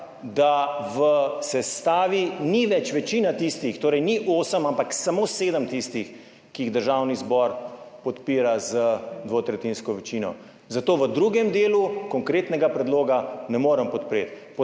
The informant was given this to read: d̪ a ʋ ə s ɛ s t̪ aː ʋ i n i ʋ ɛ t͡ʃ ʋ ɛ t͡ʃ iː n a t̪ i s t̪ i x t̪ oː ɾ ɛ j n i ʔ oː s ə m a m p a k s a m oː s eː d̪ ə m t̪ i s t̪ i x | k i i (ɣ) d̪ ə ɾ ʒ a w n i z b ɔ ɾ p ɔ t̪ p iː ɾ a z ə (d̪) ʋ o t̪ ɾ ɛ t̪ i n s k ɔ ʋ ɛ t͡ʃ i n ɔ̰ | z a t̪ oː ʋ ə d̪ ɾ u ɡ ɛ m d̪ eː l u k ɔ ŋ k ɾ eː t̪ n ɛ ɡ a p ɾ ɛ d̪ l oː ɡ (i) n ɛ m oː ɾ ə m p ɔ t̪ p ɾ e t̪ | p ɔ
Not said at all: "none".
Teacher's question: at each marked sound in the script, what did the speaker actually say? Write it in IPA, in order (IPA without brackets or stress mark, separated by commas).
ɣ, d̪, a